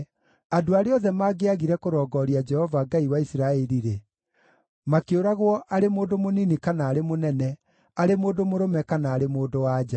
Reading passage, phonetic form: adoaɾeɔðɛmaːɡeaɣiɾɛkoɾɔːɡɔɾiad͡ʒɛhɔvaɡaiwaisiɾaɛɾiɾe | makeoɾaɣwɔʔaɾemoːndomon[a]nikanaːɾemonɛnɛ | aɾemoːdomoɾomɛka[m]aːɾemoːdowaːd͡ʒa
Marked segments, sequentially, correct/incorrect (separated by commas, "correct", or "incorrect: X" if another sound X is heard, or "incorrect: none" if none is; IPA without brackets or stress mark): incorrect: i, incorrect: n